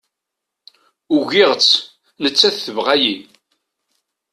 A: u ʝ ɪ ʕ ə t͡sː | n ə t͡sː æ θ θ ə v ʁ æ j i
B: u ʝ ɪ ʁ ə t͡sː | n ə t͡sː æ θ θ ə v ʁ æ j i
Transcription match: B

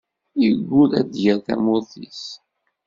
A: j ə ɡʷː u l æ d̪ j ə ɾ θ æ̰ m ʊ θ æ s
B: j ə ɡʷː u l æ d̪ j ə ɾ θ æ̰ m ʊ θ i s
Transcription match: B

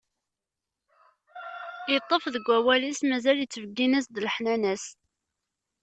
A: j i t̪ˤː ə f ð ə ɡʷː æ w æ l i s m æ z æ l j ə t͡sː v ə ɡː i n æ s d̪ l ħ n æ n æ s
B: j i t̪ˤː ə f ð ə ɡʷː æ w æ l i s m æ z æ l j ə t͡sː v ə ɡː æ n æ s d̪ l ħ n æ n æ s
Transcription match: A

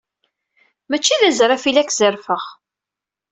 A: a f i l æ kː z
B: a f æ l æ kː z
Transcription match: A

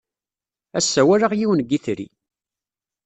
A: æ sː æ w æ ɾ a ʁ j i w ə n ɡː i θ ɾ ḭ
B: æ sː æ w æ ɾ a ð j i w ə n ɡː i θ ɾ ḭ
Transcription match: A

